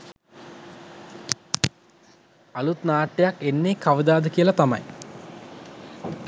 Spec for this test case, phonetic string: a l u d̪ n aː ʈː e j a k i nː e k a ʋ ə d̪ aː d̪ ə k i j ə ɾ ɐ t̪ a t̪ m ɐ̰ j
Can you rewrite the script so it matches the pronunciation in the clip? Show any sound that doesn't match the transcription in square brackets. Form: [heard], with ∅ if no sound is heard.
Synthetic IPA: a l u [t̪] n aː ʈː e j a k [e] nː e k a ʋ ə d̪ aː d̪ ə k i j ə [l] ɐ t̪ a [∅] m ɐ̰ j